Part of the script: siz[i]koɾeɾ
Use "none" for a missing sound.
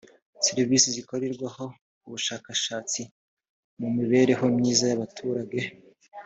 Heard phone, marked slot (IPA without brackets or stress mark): i